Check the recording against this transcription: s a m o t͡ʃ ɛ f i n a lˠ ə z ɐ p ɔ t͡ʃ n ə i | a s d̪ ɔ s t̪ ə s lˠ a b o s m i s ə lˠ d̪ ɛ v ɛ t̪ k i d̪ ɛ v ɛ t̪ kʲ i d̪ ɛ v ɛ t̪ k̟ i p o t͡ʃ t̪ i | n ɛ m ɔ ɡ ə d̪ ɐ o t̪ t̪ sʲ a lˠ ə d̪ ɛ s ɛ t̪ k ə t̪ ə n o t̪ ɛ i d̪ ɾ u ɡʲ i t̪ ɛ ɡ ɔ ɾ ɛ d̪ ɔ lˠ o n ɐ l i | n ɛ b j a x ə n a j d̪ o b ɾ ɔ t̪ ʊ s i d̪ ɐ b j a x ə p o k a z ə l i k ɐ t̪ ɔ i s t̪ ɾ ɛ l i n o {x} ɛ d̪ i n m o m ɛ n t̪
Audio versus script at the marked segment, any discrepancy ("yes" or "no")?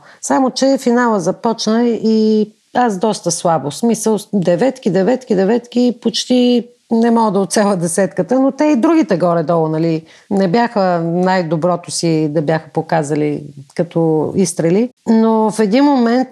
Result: yes